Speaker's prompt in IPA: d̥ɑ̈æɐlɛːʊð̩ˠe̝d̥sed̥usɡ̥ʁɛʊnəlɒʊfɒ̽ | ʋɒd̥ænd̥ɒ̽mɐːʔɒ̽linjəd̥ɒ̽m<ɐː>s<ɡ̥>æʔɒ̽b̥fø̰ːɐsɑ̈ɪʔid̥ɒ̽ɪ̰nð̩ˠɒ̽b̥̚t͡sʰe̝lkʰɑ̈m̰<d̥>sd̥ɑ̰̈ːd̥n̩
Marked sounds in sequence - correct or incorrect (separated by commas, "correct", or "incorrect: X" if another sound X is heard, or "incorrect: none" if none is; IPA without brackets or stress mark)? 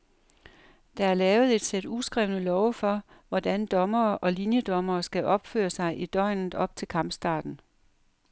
correct, correct, incorrect: b̥